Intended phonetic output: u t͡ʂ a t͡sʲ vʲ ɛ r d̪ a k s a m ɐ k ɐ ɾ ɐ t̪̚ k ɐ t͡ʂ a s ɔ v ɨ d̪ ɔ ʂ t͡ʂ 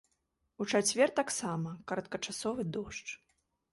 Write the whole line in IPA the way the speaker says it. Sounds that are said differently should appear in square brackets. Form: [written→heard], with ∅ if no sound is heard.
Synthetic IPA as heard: u t͡ʂ a t͡sʲ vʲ ɛ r [d̪→t̪] a k s a m ɐ k ɐ ɾ ɐ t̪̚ k ɐ t͡ʂ a s ɔ v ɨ d̪ ɔ ʂ t͡ʂ

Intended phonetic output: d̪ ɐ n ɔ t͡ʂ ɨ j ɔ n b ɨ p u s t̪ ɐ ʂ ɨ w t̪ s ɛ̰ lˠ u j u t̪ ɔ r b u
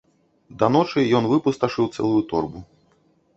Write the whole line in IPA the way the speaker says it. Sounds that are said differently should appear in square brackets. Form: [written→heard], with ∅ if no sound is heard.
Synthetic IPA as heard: d̪ ɐ n ɔ t͡ʂ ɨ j ɔ n [b→v] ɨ p u s t̪ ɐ ʂ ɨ w t̪ s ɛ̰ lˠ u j u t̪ ɔ r b u

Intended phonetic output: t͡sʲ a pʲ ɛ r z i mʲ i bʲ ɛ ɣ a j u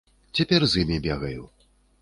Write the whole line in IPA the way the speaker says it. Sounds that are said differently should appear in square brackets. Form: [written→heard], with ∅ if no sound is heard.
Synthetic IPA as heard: t͡sʲ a pʲ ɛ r z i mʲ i bʲ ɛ ɣ [a→ɐ] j u

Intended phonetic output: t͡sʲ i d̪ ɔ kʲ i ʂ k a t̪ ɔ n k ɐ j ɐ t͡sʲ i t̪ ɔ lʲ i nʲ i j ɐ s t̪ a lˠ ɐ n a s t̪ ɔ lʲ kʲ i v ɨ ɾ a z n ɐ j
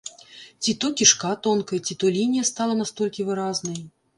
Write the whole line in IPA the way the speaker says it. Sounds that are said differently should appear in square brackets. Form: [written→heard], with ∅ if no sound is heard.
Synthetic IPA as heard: t͡sʲ i [d̪→t̪] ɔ kʲ i ʂ k a t̪ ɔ n k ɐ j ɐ t͡sʲ i t̪ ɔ lʲ i nʲ i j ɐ s t̪ a lˠ ɐ n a s t̪ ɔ lʲ kʲ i v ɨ ɾ a z n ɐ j

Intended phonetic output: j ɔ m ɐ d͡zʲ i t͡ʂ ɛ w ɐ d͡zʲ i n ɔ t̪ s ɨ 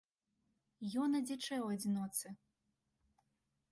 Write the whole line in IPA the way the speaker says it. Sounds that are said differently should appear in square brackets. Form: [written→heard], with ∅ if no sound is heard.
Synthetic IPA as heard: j ɔ [m→n] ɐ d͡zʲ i t͡ʂ ɛ w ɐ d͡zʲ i n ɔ t̪ s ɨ

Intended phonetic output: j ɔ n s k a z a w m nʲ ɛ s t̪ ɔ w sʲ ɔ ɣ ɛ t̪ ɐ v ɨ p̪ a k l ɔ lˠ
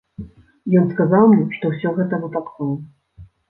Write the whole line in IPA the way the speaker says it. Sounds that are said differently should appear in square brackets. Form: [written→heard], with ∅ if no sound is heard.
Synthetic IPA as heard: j ɔ n s k a z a w m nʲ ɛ [s→ʂ] t̪ ɔ w sʲ ɔ ɣ ɛ t̪ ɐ v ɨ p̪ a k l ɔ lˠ

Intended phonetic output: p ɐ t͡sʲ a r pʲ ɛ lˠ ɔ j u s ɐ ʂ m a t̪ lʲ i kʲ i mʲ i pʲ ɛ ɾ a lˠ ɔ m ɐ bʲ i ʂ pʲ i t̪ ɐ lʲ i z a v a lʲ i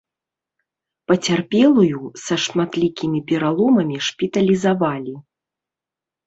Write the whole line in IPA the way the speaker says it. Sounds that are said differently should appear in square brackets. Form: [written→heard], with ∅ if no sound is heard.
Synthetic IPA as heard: p ɐ t͡sʲ a r pʲ ɛ lˠ [ɔ→u] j u s ɐ ʂ m a t̪ lʲ i kʲ i mʲ i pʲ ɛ ɾ a lˠ ɔ m ɐ [bʲ→mʲ] i ʂ pʲ i t̪ ɐ lʲ i z a v a lʲ i

